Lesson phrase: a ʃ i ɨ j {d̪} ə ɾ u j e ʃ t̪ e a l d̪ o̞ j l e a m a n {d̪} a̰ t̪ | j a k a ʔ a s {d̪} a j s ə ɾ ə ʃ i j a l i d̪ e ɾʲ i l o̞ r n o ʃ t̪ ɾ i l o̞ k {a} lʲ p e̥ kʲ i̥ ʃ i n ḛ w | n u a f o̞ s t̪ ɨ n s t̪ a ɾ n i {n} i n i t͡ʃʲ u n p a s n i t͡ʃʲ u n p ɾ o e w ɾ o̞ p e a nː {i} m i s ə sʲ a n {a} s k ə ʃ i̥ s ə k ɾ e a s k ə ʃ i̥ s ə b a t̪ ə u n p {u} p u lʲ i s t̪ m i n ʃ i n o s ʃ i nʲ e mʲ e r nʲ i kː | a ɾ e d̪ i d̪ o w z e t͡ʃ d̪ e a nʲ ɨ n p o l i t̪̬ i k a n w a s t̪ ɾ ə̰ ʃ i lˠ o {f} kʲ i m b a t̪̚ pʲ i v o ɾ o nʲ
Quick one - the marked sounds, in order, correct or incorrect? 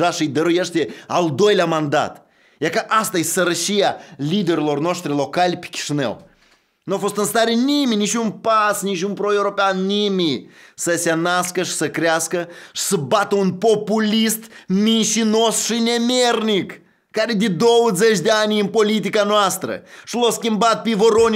correct, correct, incorrect: t̪, correct, incorrect: m, correct, correct, incorrect: o, incorrect: s

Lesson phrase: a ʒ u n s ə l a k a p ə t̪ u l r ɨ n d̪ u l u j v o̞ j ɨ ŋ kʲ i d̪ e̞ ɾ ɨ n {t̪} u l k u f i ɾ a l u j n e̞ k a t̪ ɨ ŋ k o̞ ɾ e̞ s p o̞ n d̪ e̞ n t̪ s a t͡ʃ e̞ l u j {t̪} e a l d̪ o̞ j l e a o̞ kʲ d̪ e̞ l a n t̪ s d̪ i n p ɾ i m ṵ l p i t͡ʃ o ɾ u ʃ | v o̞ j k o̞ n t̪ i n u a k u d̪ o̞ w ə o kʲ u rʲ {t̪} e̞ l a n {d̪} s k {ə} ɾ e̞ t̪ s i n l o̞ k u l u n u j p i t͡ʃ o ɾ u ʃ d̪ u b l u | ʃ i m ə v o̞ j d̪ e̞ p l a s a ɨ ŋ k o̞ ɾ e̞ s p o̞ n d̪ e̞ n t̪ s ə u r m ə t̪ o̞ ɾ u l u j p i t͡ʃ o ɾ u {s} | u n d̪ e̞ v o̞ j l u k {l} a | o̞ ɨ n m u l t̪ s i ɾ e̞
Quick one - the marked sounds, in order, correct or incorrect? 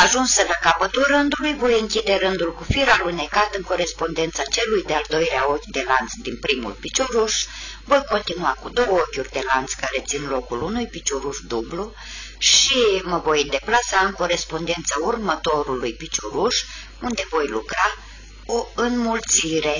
incorrect: d̪, incorrect: d̪, incorrect: d̪, incorrect: t̪, incorrect: a, incorrect: ʃ, incorrect: ɾ

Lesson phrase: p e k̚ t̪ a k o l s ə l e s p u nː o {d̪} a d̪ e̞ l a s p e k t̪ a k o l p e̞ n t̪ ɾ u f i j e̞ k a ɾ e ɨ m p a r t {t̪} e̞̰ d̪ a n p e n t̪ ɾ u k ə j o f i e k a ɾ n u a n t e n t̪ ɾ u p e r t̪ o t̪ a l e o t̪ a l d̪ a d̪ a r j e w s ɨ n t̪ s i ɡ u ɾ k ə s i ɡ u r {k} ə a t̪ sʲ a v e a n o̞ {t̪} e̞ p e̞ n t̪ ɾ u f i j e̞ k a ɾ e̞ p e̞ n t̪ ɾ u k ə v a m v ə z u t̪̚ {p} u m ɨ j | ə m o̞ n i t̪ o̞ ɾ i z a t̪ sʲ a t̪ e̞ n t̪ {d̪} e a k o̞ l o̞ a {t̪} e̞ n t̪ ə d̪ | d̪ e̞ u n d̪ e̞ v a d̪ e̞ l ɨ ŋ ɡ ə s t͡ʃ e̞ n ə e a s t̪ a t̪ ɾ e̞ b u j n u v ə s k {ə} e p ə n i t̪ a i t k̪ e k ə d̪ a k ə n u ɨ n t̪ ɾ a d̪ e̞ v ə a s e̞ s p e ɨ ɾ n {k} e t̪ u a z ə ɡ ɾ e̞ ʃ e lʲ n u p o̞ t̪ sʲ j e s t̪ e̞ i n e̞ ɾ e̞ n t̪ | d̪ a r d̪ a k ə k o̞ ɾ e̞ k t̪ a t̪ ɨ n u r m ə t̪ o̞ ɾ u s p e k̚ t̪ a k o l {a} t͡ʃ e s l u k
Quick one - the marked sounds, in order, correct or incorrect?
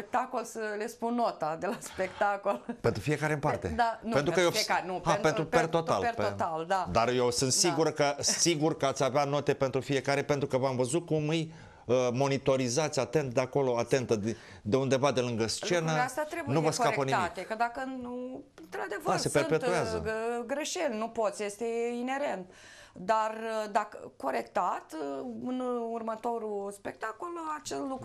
incorrect: t̪, correct, correct, correct, incorrect: k, correct, correct, incorrect: a, incorrect: p, correct

